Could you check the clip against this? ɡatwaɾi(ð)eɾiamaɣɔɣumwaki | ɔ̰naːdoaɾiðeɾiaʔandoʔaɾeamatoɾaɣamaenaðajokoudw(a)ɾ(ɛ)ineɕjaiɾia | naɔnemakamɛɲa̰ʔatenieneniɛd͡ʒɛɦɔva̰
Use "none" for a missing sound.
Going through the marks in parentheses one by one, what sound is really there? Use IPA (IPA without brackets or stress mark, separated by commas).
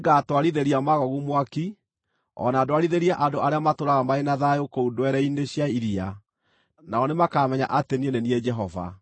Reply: ð, ɛ, ɛ